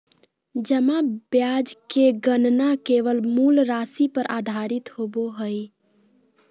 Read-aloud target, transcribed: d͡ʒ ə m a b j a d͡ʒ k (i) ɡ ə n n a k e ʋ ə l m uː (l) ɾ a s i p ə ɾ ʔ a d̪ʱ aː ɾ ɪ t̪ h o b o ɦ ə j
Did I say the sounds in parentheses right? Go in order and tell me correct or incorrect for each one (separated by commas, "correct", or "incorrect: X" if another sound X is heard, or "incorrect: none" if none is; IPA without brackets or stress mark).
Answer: incorrect: e, correct